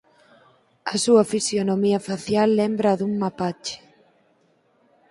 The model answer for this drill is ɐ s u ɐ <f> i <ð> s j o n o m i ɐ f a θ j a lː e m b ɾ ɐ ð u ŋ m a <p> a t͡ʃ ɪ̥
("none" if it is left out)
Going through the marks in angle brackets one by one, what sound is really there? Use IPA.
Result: f, none, p

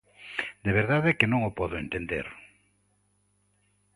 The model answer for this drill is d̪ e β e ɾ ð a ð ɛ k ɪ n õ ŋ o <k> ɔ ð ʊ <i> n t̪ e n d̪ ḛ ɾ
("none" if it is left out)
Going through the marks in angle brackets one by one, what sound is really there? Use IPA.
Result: p, e

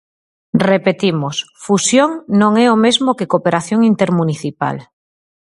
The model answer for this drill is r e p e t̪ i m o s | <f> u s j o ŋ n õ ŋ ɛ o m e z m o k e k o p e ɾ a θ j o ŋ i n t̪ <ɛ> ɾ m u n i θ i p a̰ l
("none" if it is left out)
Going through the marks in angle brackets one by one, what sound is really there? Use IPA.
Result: f, e

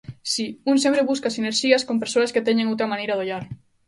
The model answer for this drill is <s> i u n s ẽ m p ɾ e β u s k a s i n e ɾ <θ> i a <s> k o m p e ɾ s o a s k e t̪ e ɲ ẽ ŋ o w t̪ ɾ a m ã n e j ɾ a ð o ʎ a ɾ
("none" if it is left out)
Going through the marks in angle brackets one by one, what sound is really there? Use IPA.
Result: s, ʃ, s

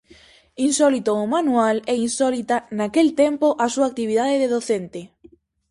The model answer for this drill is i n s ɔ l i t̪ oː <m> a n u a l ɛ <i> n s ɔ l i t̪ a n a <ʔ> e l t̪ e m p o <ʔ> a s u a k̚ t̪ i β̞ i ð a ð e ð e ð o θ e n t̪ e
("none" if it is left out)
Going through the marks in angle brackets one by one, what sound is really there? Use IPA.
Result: m, i, k, ʔ

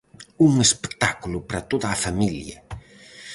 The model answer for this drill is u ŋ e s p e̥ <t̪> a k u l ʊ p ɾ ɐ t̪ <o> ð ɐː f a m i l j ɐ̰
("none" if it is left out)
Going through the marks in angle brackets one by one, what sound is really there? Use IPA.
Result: t̪, o

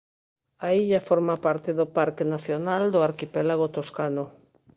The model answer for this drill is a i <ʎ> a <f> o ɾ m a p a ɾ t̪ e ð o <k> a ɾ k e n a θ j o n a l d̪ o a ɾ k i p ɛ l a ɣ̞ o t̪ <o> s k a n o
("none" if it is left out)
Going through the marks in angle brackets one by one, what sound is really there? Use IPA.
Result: ʎ, f, p, o

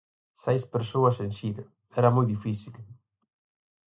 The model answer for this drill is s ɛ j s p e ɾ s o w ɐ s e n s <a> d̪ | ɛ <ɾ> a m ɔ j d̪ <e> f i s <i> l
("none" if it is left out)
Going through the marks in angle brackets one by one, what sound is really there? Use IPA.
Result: i, ɾ, i, i

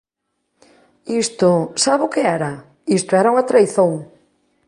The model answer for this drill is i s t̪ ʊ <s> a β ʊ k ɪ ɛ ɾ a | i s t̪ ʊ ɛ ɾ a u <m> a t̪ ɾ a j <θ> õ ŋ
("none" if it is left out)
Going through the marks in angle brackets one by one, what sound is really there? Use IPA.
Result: s, ŋ, θ

